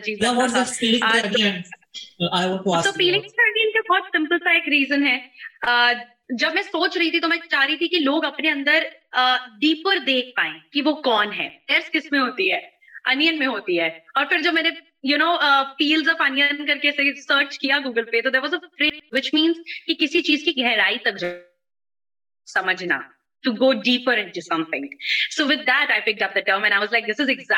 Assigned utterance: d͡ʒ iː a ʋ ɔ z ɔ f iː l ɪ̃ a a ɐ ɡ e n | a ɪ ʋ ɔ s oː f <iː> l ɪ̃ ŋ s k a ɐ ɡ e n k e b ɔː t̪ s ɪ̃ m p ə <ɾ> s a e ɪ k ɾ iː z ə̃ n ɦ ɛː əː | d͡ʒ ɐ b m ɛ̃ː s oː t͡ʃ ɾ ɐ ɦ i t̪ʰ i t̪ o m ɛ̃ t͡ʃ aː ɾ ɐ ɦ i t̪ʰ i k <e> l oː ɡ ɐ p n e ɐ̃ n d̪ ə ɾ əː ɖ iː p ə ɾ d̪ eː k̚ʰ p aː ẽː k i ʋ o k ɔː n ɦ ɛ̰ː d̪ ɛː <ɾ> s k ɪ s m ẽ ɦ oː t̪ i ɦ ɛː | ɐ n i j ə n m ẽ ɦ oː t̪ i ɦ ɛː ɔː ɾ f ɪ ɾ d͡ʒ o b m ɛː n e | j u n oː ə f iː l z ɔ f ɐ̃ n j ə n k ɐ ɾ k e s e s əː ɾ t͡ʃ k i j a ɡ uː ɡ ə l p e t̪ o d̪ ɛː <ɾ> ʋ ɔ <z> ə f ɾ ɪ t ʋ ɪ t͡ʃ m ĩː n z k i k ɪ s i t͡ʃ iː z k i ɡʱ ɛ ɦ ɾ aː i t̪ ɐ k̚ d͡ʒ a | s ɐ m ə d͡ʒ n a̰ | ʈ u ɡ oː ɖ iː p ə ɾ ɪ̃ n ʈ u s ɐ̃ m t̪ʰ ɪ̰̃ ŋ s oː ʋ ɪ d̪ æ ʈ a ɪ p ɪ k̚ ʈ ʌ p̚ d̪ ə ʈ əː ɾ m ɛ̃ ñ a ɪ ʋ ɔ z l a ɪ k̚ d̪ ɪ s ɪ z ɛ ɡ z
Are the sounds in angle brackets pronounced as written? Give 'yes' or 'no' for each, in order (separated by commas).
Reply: yes, no, no, yes, yes, yes